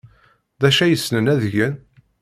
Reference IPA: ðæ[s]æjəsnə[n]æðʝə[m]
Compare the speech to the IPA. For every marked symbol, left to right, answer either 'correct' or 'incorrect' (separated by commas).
incorrect, correct, incorrect